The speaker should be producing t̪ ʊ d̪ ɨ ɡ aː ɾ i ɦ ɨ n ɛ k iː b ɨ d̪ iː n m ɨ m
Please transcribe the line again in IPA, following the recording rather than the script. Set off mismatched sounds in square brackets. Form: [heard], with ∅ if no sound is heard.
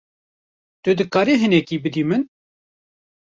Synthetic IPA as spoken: t̪ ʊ d̪ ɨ [k] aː ɾ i ɦ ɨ n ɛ k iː b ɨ d̪ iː [∅] m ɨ [n]